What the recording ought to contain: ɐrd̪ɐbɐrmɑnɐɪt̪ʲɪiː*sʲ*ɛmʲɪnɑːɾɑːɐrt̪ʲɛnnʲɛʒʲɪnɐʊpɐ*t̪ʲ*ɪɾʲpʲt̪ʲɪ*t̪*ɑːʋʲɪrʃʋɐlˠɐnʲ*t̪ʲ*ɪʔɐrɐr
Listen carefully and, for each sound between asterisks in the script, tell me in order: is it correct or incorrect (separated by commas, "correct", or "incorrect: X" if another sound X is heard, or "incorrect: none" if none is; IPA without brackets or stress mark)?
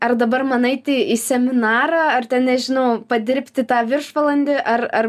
correct, incorrect: d̪ʲ, correct, incorrect: d̪ʲ